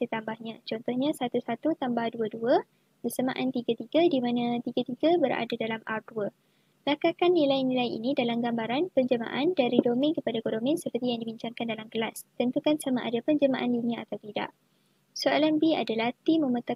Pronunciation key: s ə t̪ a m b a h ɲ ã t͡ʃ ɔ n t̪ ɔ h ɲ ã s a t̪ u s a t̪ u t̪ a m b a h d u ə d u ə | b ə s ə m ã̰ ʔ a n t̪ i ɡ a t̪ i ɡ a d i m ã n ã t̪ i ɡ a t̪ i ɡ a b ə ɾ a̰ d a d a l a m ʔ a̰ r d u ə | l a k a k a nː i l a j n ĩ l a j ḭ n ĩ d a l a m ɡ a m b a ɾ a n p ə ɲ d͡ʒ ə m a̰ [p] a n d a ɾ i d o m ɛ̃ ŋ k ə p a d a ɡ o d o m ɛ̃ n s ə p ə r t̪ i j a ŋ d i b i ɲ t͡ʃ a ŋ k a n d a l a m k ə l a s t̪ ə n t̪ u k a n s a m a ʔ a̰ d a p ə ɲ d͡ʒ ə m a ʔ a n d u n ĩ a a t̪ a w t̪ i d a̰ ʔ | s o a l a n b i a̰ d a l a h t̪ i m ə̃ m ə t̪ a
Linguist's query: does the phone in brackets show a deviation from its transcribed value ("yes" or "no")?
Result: yes